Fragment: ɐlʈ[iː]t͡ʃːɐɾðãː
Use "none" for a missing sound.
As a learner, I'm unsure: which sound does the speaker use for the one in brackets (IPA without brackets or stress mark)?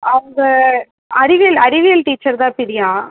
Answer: iː